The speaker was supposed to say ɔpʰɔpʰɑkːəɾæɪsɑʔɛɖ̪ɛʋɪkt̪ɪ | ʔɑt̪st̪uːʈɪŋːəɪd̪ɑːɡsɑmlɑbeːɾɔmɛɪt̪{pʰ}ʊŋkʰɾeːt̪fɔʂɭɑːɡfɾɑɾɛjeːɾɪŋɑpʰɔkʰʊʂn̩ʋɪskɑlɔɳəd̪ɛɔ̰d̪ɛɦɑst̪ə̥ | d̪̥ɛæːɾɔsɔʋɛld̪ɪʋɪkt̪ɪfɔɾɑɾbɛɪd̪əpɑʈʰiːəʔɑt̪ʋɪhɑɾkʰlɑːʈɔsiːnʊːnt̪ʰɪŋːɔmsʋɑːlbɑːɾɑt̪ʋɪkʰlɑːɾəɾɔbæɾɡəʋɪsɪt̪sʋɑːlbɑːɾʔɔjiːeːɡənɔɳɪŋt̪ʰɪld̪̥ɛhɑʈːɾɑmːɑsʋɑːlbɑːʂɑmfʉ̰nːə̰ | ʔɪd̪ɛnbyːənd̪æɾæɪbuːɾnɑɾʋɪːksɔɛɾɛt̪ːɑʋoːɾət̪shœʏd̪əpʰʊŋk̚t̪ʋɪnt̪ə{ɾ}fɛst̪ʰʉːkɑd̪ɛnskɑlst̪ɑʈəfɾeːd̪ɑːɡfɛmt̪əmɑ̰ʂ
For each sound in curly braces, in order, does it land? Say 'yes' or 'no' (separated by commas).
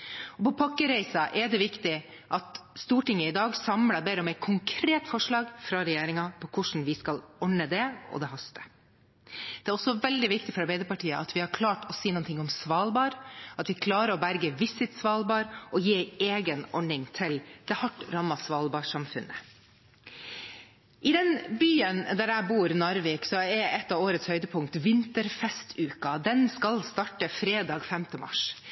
no, yes